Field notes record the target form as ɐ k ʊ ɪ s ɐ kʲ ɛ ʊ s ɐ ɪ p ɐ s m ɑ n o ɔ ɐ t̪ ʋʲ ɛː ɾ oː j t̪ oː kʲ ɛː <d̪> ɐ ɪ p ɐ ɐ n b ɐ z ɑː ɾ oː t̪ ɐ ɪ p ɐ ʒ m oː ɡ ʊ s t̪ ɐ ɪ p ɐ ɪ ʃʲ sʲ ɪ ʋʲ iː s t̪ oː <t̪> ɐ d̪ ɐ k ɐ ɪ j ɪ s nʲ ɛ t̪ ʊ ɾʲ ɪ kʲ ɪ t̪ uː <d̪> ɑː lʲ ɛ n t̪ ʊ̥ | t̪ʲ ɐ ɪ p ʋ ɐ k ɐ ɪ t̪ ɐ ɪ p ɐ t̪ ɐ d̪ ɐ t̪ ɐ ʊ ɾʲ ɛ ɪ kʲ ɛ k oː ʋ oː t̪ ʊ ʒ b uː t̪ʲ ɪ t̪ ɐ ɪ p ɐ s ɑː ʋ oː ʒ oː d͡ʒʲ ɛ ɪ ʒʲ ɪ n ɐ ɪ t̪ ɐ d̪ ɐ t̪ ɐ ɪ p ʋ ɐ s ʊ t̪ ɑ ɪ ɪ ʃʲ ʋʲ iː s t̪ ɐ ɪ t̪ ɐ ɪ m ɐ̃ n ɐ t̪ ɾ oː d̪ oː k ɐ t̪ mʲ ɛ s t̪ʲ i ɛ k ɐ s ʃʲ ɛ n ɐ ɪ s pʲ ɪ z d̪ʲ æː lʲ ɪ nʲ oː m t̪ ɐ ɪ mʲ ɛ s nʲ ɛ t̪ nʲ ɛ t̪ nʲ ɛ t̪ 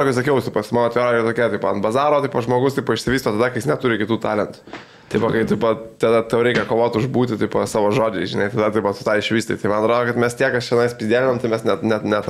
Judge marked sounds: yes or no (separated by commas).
no, yes, no